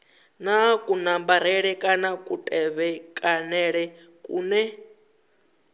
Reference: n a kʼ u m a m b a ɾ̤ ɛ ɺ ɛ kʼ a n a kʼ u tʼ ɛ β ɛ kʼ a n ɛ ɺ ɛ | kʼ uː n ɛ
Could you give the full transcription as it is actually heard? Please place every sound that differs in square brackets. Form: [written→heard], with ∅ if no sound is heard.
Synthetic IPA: n a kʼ u [m→n] a m b a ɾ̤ ɛ ɺ ɛ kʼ a n a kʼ u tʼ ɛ β ɛ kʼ a n ɛ ɺ ɛ | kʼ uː n ɛ